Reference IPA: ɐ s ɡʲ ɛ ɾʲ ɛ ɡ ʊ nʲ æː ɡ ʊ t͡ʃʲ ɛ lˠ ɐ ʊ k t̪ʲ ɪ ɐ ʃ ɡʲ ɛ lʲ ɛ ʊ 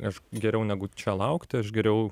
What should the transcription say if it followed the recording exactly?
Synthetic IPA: ɐ ʃ ɡʲ ɛ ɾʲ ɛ ʊ nʲ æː ɡ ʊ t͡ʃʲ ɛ lˠ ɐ ʊ k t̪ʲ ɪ ɐ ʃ ɡʲ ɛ ɾʲ ɛ ʊ